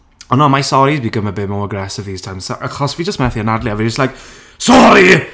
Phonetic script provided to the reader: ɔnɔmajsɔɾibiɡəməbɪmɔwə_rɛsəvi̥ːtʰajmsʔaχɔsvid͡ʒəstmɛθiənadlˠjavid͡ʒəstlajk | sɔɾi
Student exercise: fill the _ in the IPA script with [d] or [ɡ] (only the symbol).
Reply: ɡ